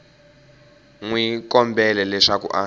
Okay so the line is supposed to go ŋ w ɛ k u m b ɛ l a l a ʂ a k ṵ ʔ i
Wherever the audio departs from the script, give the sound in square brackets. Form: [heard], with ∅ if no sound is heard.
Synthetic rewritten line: ŋ w [i] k [ɔ] m b ɛ l [ɛ] l [ɛ] ʂ a k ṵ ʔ [a]